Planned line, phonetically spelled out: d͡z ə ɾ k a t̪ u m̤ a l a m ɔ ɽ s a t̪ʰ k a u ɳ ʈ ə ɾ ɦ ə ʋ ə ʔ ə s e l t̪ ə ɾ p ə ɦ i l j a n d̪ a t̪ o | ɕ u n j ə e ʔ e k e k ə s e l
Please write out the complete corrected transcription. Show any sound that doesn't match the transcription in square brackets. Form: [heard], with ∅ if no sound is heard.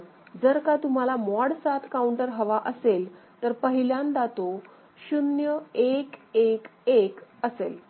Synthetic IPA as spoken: d͡z ə ɾ k a t̪ u m̤ a l a m ɔ ɽ s a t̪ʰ k a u ɳ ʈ ə ɾ ɦ ə ʋ [a] ʔ ə s e l t̪ ə ɾ p ə ɦ i l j a n d̪ a t̪ o | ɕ u n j ə e [k] e k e k ə s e l